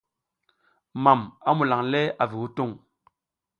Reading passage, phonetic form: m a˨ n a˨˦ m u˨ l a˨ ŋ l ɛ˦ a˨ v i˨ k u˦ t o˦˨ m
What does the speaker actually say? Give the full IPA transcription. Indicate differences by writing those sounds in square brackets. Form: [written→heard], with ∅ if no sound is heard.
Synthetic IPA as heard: m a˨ [n→m] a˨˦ m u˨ l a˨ ŋ l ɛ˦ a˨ v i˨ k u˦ t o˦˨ [m→ŋ]